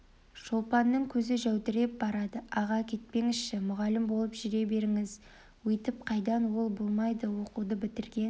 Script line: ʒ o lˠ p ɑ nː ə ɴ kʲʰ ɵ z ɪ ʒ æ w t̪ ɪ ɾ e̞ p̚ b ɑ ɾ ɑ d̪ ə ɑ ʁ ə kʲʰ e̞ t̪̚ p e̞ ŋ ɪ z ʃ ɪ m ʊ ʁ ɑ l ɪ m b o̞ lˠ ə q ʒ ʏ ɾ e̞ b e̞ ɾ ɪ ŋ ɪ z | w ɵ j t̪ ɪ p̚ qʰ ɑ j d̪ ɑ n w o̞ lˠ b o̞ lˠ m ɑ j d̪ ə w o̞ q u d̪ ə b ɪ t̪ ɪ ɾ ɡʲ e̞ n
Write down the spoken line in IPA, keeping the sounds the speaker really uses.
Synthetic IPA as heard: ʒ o lˠ p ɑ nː ə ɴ kʲʰ ɵ z ɪ ʒ æ w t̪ ɪ ɾ e̞ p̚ b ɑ ɾ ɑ d̪ ə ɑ ʁ ɑ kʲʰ e̞ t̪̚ p e̞ ŋ ɪ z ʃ ɪ m ʊ ʁ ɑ l ɪ m b o̞ lˠ ə p ʒ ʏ ɾ e̞ b e̞ ɾ ɪ ŋ ɪ z | w ɵ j t̪ ɪ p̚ qʰ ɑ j d̪ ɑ n w o̞ lˠ b o̞ lˠ m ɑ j d̪ ə w o̞ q u d̪ ə b ɪ t̪ ɪ ɾ ɡʲ e̞ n